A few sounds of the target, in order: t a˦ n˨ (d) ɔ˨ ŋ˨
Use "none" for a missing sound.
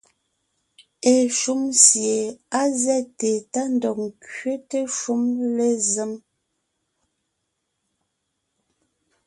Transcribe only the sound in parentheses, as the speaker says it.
d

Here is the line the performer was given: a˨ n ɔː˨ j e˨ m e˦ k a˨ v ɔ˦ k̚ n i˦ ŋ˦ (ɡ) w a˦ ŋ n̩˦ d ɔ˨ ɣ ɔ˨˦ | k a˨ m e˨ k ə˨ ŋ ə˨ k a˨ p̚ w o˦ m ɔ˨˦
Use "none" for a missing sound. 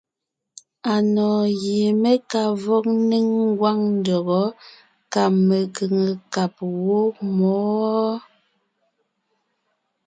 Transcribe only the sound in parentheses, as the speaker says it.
ɡ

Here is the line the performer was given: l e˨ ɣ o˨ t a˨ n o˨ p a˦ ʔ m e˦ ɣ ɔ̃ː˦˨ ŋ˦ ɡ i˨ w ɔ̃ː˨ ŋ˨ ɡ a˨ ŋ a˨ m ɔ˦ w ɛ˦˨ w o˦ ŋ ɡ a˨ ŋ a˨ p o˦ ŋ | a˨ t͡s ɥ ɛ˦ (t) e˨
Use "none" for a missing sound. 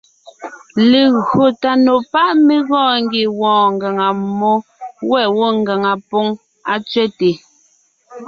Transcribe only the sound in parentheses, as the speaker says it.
t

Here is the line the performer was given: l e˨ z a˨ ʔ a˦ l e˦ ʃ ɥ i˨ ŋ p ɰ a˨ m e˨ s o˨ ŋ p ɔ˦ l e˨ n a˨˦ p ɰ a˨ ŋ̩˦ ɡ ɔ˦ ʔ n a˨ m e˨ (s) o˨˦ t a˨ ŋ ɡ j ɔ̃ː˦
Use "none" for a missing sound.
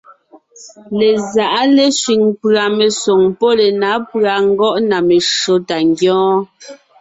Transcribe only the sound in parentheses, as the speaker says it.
ʃ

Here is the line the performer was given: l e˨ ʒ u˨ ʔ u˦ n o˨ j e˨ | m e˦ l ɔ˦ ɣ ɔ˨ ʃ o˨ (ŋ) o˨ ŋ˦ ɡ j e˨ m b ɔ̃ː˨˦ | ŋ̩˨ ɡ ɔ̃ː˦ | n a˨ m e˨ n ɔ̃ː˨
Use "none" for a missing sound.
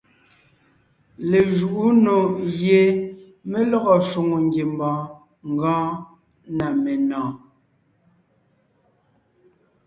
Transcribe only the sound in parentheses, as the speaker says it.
ŋ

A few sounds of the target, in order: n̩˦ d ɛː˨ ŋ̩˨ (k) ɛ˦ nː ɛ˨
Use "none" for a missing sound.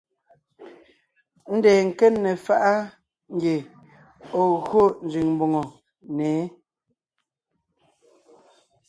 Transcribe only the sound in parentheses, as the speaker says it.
k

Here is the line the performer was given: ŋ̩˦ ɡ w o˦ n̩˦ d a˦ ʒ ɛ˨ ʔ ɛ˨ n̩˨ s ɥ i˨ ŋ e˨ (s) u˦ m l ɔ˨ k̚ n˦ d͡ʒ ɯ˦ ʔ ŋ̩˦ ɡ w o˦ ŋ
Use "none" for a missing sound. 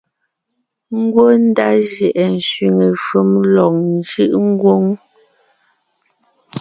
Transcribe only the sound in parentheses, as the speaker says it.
ʃ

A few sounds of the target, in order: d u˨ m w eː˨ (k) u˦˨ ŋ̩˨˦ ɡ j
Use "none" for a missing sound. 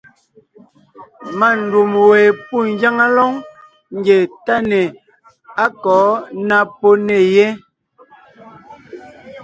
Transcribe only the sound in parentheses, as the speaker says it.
p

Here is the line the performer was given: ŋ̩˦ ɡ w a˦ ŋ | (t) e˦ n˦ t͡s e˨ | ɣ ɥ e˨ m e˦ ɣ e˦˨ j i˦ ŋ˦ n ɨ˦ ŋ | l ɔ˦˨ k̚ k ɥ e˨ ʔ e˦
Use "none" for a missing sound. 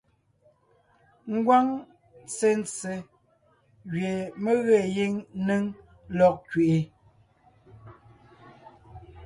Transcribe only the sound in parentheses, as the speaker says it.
t͡s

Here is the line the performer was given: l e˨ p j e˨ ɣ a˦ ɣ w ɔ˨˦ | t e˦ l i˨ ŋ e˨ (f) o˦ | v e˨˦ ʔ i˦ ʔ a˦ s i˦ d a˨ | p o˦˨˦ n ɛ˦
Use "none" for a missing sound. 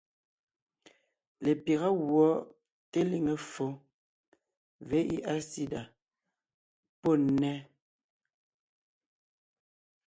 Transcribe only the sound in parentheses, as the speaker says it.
f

